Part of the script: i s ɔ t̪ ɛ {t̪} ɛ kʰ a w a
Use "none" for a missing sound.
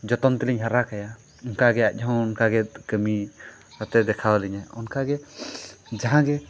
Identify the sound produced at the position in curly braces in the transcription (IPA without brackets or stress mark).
d̪